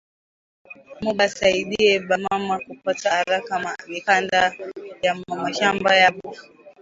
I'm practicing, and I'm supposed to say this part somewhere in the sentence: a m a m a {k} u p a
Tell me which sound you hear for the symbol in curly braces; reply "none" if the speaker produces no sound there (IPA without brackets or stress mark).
k